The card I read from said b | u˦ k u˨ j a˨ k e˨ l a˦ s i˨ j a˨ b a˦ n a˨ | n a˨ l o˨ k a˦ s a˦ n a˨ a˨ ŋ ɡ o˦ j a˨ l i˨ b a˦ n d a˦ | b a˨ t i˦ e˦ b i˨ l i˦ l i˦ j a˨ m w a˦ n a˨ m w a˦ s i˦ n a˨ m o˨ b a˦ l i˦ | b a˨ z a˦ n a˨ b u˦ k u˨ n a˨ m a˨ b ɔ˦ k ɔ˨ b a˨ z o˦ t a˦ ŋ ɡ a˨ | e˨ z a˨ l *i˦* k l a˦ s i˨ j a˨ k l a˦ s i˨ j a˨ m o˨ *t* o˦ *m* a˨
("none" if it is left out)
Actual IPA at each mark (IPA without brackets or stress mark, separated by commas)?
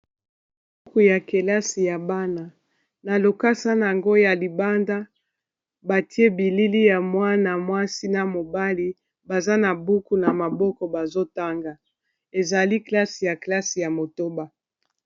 i˦, t, b